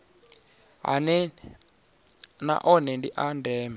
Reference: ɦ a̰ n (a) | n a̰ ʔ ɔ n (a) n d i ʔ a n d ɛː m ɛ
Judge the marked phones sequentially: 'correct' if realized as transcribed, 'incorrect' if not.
incorrect: ɛ, incorrect: ɛ

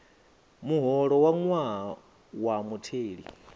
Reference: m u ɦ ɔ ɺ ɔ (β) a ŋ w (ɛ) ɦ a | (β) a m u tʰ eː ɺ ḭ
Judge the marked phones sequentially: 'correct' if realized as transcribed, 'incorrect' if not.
incorrect: w, incorrect: a, incorrect: w

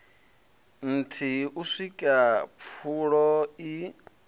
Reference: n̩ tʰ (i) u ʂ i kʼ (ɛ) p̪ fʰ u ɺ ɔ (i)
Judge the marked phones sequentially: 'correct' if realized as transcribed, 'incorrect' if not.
correct, incorrect: a, correct

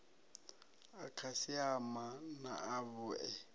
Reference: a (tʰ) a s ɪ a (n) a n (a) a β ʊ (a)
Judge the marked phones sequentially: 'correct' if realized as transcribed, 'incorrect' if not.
incorrect: kʰ, incorrect: m, correct, incorrect: ɛ

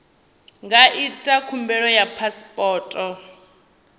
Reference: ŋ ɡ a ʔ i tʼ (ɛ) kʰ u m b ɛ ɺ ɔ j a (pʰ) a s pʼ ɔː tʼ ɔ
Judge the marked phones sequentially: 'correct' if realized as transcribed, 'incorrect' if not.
incorrect: a, correct

